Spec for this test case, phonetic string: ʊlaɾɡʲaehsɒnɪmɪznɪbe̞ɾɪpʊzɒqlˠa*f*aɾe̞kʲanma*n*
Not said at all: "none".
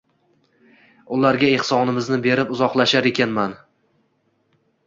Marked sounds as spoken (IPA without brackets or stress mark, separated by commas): ʃ, n